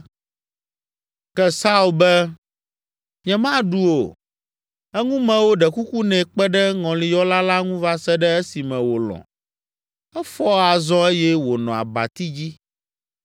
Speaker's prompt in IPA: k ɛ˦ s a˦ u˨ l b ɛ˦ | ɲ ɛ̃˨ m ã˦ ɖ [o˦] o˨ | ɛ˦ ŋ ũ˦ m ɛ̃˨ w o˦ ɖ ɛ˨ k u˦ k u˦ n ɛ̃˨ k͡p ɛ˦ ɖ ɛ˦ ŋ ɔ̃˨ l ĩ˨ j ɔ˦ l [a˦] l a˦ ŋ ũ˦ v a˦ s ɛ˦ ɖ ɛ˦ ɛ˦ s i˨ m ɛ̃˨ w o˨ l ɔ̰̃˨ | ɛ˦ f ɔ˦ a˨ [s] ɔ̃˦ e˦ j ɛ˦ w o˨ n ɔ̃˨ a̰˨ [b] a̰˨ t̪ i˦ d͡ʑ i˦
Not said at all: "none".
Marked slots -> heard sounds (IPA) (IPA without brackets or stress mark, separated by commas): u˦, a˦, z, b